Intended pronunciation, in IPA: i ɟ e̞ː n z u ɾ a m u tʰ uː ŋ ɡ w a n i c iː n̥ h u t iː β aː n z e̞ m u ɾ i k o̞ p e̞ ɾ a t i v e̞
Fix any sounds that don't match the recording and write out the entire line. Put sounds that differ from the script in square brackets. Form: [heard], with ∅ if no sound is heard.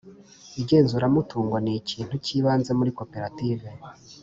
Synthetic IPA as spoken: i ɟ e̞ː n z u ɾ a m u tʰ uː ŋ ɡ w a n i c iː n̥ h u [c] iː β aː n z e̞ m u ɾ i k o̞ p e̞ ɾ a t i v e̞